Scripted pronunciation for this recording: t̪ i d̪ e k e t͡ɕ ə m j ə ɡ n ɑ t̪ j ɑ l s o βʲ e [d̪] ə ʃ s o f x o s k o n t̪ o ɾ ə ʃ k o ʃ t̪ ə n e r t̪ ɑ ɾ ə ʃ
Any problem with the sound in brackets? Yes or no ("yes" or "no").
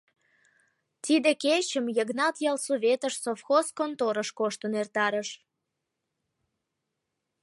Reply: yes